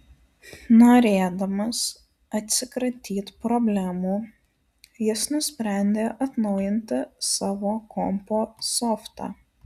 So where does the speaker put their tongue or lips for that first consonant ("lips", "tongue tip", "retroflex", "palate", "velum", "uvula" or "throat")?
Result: tongue tip